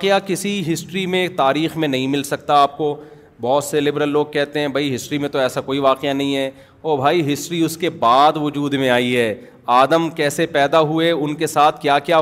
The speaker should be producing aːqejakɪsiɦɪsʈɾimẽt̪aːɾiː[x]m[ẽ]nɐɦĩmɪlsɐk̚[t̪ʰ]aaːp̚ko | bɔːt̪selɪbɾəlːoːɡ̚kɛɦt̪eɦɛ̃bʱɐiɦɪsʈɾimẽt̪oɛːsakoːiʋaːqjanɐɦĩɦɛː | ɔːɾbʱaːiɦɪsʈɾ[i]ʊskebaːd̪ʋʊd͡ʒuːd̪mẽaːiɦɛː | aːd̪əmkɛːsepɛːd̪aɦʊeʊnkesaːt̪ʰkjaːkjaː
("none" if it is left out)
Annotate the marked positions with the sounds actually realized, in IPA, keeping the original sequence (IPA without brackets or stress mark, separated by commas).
x, ẽ, t̪, i